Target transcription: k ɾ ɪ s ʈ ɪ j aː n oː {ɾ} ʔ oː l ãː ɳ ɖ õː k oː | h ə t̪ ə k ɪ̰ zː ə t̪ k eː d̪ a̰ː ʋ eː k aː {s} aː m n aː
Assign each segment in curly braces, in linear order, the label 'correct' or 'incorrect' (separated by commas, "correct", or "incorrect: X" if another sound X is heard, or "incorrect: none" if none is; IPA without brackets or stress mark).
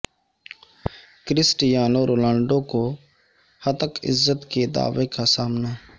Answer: correct, correct